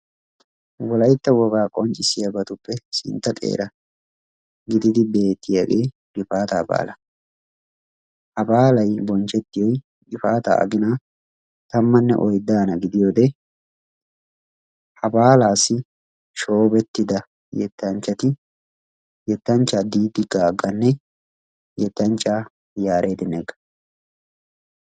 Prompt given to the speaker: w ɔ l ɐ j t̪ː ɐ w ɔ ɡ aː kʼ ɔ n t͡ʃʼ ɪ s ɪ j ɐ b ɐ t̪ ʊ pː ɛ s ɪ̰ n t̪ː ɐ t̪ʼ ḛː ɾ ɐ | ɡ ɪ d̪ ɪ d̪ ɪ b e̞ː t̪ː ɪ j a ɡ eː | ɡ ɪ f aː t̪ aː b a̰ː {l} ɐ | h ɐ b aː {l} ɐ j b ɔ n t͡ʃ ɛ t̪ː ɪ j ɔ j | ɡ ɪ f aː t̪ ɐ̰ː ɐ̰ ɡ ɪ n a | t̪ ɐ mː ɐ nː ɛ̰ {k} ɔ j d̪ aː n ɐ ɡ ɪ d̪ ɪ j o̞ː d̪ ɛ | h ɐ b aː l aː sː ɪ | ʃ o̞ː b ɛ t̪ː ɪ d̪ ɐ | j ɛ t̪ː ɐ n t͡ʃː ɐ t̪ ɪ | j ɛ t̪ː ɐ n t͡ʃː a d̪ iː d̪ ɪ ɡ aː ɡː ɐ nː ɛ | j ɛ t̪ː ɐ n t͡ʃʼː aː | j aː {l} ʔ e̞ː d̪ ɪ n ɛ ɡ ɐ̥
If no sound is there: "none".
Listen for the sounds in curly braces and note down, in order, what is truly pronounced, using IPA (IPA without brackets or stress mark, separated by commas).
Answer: l, l, ʔ, ɾ